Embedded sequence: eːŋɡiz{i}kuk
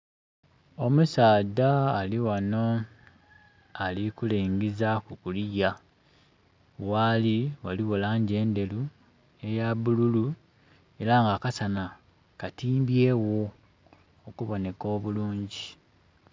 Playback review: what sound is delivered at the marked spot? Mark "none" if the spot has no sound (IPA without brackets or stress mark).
a